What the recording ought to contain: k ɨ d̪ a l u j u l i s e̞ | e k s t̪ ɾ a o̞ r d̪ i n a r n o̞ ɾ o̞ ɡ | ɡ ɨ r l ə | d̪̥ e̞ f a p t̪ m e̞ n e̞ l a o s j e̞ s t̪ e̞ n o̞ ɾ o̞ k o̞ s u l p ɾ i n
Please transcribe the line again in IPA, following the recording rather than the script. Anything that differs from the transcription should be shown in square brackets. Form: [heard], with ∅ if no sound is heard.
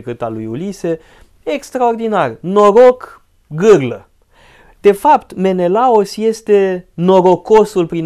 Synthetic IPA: k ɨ [t̪] a l u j u l i s e̞ | e k s t̪ ɾ a o̞ r d̪ i n a r n o̞ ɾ o̞ [k] | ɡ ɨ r l ə | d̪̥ e̞ f a p t̪ m e̞ n e̞ l a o s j e̞ s t̪ e̞ n o̞ ɾ o̞ k o̞ s u l p ɾ i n